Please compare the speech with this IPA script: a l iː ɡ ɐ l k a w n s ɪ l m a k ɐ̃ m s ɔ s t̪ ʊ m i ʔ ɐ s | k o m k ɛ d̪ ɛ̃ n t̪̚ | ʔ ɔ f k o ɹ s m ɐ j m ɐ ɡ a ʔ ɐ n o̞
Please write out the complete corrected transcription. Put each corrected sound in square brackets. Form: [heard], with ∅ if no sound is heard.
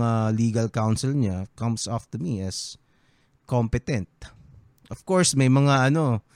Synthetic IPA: a l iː ɡ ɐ l k a w n s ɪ l [ɲ] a k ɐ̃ m s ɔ [f] t̪ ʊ m i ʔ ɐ s | k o m [p] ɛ [t̪] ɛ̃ n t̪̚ | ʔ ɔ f k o ɹ s m ɐ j m ɐ [ŋ] a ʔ ɐ n o̞